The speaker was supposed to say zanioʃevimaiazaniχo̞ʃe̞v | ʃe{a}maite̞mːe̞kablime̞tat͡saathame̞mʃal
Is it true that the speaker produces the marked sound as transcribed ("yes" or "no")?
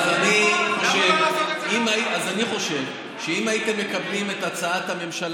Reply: no